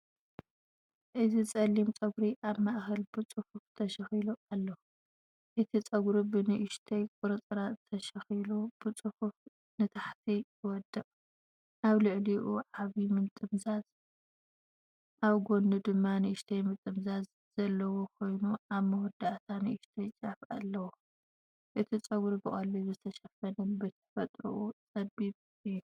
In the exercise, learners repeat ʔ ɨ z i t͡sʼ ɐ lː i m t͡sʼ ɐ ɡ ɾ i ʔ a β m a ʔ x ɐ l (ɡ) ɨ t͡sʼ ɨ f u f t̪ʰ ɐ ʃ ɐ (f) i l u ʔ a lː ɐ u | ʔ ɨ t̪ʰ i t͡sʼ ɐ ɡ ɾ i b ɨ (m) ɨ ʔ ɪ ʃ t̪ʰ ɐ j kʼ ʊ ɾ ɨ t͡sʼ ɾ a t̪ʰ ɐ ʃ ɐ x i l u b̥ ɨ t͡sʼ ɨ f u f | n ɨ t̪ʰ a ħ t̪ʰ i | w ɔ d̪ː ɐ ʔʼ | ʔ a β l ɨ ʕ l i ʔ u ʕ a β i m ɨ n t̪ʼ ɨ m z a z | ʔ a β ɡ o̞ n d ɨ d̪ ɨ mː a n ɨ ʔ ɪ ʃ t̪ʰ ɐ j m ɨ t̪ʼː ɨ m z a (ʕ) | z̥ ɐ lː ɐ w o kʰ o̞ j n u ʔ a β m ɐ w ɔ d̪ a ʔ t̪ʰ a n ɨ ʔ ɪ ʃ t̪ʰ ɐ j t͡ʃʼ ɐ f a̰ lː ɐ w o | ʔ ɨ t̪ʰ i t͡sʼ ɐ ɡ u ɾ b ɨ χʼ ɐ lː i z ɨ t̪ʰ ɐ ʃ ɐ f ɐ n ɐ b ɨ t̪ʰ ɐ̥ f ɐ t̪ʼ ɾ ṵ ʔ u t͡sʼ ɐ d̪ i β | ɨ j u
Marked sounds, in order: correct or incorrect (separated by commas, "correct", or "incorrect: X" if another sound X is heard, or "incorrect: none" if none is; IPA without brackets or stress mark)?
incorrect: b, incorrect: x, incorrect: n, incorrect: z